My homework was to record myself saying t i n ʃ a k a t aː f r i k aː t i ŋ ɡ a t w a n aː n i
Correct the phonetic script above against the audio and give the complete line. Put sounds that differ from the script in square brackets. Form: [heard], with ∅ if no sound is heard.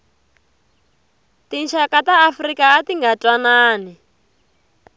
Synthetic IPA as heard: t i n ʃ a k a t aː f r i k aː t i ŋ ɡ a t w a n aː n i